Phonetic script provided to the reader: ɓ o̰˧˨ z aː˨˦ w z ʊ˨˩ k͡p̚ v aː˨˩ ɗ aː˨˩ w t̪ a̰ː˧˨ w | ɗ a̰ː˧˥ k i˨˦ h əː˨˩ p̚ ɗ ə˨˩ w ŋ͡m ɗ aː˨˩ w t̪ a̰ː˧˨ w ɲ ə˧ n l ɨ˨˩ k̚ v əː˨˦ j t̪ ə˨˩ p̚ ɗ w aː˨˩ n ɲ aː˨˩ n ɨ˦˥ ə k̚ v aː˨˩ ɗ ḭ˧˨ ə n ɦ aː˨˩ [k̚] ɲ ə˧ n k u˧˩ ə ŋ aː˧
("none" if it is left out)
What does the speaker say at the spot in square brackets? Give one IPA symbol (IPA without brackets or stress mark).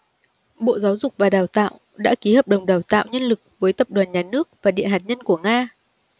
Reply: t̚